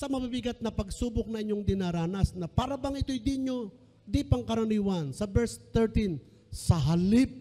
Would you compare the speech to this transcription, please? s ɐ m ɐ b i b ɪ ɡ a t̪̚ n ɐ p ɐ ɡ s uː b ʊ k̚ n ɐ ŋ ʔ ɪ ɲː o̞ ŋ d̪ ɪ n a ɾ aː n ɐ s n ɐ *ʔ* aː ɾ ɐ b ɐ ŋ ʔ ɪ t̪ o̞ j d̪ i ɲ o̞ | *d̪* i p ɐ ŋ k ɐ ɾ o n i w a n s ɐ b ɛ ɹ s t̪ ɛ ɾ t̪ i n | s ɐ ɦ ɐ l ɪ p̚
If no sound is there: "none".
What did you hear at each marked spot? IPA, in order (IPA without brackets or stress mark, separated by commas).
p, d̪